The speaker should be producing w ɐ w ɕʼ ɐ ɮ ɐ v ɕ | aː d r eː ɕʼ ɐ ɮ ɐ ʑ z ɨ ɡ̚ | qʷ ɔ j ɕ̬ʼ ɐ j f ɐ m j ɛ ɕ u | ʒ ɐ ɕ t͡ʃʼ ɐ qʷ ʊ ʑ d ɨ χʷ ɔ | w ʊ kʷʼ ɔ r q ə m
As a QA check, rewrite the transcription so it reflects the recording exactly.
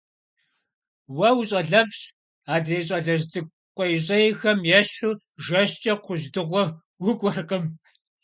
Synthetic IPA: w ɐ w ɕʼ ɐ ɮ ɐ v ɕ | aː d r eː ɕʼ ɐ ɮ ɐ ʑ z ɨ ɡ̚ | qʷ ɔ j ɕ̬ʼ ɐ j x ɐ m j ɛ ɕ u | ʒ ɐ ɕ t͡ʃʼ ɐ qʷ ʊ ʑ d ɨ ʁʷ ɔ | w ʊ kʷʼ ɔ r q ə m